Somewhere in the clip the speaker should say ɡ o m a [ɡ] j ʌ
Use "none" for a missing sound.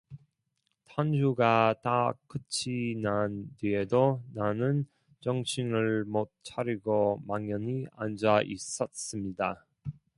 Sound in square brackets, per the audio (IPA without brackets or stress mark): ŋ